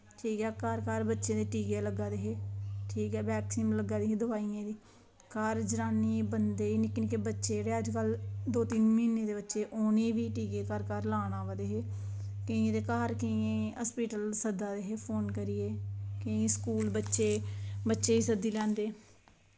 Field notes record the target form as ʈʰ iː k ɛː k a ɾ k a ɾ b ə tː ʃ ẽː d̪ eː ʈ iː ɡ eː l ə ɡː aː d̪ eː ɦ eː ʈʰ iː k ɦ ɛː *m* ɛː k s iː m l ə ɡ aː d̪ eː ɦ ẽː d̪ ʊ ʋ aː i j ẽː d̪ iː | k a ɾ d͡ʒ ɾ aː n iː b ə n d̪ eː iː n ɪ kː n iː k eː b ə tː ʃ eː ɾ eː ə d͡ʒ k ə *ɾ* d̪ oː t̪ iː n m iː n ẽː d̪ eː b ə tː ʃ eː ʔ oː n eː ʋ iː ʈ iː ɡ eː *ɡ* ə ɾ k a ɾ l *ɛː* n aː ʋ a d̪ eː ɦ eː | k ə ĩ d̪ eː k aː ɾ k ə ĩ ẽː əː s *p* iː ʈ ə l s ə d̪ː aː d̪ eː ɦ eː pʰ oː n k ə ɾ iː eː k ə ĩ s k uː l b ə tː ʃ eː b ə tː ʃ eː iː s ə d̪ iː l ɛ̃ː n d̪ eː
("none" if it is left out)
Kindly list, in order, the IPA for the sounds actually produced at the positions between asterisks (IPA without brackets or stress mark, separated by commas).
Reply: b, l, k, aː, p